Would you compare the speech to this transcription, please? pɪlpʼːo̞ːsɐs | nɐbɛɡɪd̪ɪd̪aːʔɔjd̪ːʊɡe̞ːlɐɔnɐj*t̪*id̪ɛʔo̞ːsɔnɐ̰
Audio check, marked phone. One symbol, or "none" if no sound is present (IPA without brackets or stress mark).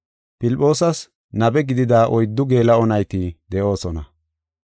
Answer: t̪